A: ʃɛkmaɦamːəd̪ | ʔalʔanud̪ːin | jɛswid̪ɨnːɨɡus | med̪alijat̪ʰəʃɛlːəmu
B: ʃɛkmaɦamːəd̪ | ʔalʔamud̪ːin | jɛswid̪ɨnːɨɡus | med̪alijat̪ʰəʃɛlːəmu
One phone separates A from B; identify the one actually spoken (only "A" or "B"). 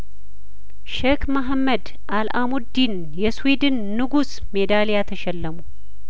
B